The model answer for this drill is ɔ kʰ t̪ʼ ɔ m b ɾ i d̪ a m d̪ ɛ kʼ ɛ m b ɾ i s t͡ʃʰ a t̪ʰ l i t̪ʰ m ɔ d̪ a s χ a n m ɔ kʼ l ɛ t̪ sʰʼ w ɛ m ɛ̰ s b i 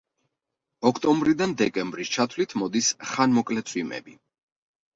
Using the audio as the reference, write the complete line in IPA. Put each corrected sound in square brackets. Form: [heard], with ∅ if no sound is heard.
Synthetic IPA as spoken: ɔ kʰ t̪ʼ ɔ m b ɾ i d̪ a [n] d̪ ɛ kʼ ɛ m b ɾ i s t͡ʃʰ a t̪ʰ l i t̪ʰ m ɔ d̪ [i] s χ a n m ɔ kʼ l ɛ t̪ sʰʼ w [i] m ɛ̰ [∅] b i